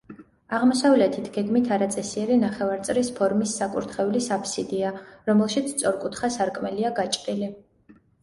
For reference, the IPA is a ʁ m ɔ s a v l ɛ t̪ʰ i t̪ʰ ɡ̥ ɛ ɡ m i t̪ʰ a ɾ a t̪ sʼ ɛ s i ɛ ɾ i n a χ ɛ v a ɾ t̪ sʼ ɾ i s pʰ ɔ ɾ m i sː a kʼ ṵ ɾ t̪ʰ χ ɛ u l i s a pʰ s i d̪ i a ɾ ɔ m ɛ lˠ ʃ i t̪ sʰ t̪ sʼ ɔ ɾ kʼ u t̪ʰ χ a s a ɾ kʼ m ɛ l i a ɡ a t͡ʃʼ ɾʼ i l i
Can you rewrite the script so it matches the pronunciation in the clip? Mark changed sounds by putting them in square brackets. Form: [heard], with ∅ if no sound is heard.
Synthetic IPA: a ʁ m ɔ s a v l ɛ t̪ʰ i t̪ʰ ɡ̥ ɛ ɡ m i t̪ʰ a ɾ a t̪ sʼ ɛ s i ɛ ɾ i n a χ ɛ v a ɾ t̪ sʼ ɾ i s pʰ ɔ ɾ m i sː a kʼ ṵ ɾ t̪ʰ χ ɛ u l i s a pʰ s i d̪ i a ɾ ɔ m ɛ lˠ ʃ i t̪ sʰ t̪ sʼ ɔ ɾ kʼ u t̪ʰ χ a s a ɾ kʼ m ɛ l i a ɡ a t͡ʃʼ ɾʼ i l i